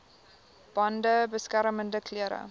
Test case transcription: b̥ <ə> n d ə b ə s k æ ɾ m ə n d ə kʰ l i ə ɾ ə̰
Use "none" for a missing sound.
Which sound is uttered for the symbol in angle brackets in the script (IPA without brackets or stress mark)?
ɐ